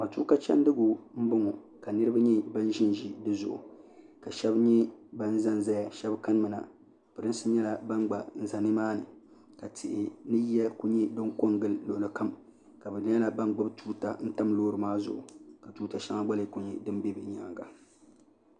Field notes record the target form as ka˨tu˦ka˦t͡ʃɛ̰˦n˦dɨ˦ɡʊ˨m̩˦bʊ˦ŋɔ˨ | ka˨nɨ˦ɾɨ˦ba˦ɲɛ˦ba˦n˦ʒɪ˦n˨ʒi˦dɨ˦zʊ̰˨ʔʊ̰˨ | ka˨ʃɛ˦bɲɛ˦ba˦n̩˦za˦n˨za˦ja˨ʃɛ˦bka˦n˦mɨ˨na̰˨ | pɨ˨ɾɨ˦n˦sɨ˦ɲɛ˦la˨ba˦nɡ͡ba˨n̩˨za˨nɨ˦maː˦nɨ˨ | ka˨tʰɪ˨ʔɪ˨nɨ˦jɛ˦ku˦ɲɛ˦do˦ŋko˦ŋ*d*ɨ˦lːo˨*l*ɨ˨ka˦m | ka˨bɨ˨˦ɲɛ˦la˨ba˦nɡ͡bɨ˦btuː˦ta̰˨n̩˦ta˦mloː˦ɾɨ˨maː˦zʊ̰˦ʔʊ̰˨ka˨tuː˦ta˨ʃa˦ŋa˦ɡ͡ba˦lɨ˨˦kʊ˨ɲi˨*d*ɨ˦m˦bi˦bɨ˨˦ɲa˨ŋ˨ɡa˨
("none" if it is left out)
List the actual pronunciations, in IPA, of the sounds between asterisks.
ɡ, l, d

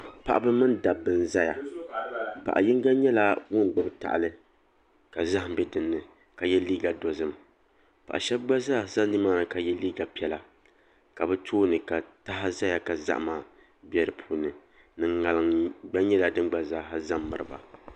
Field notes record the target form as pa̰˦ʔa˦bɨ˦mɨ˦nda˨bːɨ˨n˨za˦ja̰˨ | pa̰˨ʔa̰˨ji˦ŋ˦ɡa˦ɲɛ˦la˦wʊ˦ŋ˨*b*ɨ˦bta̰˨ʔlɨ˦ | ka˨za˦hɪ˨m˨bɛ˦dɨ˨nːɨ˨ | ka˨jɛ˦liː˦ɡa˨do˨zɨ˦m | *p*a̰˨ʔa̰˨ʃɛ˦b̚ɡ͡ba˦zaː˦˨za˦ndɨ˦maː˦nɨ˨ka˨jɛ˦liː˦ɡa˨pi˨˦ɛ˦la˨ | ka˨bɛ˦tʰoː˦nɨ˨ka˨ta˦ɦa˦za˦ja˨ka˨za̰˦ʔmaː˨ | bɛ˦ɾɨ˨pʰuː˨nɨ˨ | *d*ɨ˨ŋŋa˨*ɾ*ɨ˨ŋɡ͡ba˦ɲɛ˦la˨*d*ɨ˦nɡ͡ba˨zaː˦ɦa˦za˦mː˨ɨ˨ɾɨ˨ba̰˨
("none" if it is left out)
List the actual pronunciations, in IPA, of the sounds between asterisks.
ɡ͡b, p, n, l, d

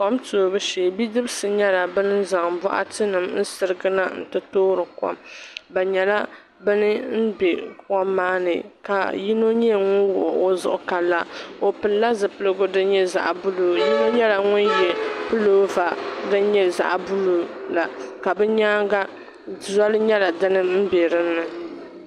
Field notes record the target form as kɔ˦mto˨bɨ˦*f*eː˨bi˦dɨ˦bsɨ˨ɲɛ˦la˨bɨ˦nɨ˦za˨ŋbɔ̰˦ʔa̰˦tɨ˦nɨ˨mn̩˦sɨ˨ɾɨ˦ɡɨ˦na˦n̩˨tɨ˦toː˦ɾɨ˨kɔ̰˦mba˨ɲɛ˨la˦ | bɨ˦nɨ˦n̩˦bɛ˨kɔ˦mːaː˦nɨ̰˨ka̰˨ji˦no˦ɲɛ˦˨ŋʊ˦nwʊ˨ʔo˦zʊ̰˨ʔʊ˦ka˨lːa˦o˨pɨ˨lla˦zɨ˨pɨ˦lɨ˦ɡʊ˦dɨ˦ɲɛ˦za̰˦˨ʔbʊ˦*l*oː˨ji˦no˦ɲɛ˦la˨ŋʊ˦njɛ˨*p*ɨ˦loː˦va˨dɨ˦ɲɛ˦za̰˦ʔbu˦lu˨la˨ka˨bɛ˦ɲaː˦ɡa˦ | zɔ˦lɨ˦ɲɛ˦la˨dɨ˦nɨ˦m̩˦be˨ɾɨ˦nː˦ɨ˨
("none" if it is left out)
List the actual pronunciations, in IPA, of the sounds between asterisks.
ʃ, l, p

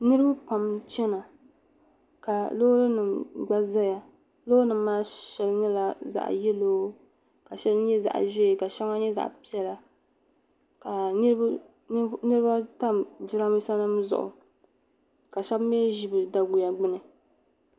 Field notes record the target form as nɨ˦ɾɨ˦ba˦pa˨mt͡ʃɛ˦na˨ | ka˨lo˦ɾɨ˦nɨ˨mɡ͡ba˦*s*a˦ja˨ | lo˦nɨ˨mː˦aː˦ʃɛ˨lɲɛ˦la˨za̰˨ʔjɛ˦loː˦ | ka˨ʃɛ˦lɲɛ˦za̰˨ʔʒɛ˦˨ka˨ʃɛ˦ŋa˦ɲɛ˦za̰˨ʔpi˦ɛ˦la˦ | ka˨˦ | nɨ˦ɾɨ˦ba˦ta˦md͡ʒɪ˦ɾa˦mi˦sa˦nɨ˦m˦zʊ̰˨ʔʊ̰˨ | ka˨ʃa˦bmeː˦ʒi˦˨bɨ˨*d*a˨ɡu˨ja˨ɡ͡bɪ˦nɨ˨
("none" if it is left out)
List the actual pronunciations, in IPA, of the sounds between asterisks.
z, d

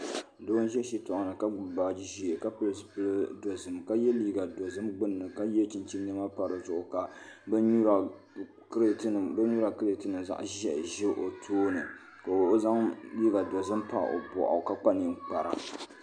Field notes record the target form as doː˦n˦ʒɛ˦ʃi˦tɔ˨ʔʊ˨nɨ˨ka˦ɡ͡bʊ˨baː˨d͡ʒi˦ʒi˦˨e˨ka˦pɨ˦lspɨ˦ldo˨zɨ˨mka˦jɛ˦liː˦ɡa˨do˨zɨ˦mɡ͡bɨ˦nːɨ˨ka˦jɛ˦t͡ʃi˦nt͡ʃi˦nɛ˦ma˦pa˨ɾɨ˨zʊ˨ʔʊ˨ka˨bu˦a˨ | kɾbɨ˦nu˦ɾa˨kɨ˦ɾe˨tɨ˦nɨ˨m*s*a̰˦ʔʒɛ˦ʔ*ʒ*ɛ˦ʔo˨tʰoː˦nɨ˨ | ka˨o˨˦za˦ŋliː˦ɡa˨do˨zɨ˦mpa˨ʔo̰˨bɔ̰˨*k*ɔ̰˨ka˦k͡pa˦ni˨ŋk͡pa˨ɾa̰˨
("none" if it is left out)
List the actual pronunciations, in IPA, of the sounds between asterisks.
z, ʒ, ʔ

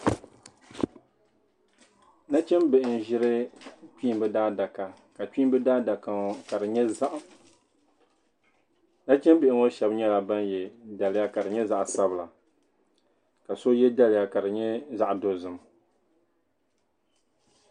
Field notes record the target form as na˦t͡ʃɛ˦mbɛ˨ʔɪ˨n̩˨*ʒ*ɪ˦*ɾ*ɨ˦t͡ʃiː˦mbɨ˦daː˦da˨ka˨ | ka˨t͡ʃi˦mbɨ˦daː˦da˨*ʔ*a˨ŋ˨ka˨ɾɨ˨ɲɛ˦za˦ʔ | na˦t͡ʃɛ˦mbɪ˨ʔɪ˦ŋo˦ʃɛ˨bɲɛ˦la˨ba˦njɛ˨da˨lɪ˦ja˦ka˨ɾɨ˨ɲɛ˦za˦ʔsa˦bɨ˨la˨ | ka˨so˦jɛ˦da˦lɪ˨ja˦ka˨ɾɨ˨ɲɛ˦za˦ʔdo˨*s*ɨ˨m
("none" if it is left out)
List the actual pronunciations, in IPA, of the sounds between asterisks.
ʒ, ɾ, k, z

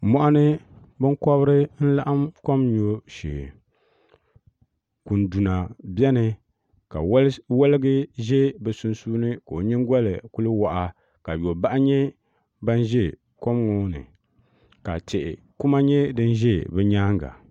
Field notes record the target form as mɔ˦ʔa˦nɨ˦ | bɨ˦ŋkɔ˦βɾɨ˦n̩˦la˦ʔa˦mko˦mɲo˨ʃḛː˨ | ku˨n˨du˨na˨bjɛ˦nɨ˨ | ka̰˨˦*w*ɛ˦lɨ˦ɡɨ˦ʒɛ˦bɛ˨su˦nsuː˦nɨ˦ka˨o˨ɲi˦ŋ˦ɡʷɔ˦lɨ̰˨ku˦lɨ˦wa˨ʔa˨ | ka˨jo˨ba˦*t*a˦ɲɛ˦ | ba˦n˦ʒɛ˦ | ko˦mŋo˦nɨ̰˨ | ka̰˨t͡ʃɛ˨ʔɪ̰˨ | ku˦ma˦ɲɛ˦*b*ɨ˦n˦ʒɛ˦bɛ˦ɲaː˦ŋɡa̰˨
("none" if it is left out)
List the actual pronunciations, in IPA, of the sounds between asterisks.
w, ʔ, d

